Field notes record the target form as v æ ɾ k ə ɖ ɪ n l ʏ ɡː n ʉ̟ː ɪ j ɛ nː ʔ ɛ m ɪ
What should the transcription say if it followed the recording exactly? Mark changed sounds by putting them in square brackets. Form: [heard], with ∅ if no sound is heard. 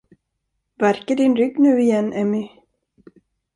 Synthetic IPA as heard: v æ ɾ k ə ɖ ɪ n [ɾ] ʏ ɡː n ʉ̟ː ɪ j ɛ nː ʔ ɛ m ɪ